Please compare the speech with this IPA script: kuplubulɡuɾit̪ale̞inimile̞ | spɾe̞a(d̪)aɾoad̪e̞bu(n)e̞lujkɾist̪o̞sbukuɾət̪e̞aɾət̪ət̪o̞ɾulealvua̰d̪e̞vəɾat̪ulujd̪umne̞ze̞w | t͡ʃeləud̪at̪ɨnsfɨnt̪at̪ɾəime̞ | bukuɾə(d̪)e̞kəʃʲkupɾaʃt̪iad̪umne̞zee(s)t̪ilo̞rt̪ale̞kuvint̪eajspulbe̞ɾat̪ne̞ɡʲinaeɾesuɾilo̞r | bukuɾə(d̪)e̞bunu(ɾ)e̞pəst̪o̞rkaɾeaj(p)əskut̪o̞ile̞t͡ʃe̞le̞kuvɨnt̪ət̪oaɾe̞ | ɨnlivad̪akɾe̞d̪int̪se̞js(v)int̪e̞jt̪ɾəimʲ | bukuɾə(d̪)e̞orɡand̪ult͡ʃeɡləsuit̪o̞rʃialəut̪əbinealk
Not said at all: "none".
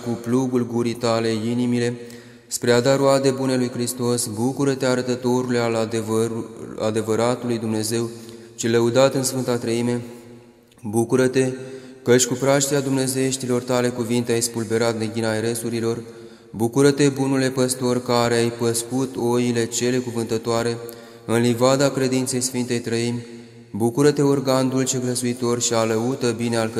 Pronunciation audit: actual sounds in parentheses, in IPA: d̪, n, t̪, ʃ, t̪, l, p, f, t̪

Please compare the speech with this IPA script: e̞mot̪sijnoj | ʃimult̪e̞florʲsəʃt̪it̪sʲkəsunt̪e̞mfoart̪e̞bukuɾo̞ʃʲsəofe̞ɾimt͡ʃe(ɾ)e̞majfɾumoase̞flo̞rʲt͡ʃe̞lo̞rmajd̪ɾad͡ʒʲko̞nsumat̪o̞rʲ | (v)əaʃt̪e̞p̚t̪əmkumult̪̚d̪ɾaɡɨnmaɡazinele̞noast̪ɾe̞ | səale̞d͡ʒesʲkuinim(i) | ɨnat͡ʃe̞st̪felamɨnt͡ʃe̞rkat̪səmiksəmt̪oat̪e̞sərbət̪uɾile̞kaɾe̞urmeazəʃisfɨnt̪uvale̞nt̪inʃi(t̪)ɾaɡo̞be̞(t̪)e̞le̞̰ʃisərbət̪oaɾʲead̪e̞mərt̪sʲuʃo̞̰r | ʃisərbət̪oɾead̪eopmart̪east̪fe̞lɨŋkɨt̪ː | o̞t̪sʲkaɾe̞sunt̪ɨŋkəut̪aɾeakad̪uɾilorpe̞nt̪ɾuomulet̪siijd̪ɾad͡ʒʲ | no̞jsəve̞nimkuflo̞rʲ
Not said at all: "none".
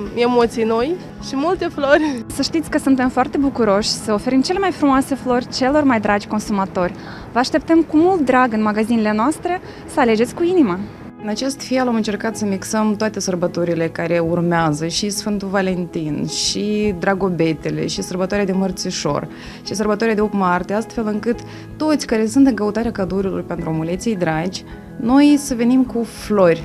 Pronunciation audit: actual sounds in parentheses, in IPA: l, v, a, d̪, t̪

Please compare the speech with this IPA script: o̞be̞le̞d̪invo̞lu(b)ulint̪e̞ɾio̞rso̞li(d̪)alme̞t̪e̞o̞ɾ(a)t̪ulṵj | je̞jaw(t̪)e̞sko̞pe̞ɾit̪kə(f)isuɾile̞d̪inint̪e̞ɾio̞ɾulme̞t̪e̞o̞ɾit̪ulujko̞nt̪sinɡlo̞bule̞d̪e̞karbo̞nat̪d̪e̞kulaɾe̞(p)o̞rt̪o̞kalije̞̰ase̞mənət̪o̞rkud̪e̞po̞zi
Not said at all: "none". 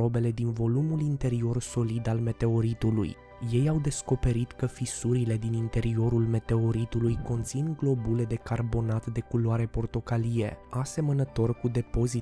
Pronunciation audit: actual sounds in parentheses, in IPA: m, d̪, i, d̪, f, p

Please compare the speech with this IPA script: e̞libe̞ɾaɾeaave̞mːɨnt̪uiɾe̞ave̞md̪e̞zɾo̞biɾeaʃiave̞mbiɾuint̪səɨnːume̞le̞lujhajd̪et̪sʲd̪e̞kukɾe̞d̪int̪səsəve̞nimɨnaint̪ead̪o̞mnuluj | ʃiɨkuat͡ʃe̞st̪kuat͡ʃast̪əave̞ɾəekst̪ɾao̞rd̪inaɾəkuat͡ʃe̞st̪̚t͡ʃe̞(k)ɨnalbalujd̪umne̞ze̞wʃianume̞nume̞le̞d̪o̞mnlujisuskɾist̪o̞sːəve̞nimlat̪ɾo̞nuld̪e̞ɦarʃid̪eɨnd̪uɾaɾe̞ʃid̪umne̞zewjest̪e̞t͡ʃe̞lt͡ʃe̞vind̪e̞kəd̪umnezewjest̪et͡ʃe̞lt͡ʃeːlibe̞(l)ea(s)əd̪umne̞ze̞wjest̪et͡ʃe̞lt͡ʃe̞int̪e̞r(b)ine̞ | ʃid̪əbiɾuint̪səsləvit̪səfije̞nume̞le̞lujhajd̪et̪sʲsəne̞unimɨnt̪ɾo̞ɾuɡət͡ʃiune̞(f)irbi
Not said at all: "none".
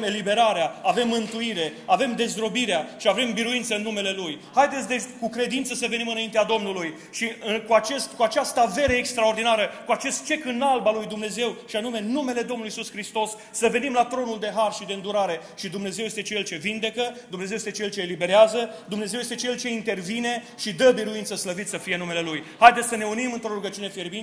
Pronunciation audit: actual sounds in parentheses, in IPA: k, ɾ, z, v, f

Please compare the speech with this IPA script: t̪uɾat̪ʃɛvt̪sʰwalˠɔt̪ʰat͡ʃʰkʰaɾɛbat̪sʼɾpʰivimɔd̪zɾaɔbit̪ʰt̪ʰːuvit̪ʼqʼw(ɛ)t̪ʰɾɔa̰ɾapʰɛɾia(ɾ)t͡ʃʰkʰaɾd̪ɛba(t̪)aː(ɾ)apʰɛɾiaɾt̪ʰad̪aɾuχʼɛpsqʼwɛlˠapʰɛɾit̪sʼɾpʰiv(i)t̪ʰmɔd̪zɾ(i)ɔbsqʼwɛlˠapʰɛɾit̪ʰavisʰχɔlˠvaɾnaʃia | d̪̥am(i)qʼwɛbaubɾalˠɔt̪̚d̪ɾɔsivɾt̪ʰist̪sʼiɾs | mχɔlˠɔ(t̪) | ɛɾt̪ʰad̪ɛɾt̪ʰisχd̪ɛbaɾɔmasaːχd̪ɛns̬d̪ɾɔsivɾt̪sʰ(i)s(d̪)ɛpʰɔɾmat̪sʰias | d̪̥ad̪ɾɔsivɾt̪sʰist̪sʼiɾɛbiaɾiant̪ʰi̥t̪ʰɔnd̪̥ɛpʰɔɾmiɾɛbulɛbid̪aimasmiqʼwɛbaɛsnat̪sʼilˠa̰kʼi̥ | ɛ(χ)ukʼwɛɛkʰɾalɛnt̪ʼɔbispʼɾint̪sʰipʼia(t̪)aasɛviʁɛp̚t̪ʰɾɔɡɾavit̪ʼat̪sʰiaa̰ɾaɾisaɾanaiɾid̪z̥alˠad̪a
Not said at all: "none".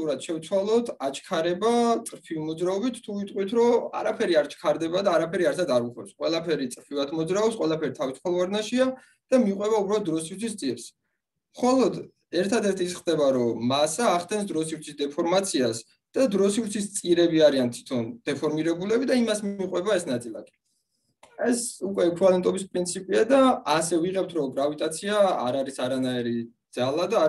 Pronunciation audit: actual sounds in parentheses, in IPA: i, ɾ, d̪, ɾ, a, a, i, d̪, i, d̪, s, d̪

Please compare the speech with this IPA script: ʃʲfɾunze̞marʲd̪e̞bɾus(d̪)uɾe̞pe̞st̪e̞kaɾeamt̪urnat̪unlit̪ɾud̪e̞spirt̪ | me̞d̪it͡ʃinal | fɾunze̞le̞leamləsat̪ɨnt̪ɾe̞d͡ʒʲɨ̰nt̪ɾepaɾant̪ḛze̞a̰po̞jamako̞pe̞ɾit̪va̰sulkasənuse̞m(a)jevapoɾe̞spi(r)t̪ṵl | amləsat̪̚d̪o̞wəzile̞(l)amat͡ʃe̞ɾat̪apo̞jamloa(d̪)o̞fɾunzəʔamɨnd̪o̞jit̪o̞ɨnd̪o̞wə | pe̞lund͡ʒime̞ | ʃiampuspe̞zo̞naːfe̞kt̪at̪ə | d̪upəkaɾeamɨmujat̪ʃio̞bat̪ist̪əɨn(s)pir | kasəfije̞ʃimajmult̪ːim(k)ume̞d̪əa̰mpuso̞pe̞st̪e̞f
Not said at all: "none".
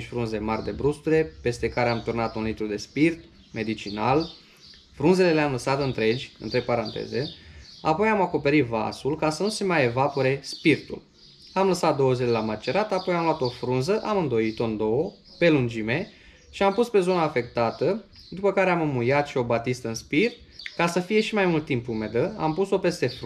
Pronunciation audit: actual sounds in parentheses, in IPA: t̪, a, r, l, t̪, s, p

